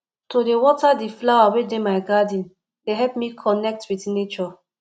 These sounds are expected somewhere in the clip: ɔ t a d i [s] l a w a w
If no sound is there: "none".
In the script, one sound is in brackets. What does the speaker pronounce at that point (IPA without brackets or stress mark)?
f